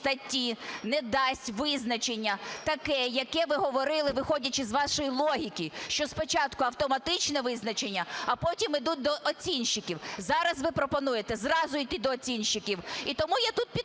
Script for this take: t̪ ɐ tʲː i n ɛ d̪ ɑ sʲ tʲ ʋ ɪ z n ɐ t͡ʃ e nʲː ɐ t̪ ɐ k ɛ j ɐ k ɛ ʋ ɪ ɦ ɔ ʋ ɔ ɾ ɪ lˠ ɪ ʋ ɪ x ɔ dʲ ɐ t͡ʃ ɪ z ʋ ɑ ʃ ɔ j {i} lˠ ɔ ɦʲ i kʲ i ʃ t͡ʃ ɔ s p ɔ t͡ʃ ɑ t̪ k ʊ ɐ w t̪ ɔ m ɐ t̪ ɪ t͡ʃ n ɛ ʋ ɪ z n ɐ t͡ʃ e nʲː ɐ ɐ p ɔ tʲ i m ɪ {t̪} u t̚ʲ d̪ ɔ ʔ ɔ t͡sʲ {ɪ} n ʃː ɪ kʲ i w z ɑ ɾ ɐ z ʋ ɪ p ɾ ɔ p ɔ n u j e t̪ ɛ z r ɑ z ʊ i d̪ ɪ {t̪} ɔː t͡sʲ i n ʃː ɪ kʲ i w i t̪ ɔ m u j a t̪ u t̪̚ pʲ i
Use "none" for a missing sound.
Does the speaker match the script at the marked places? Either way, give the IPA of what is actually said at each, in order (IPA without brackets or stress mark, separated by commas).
i, d̪, i, d̪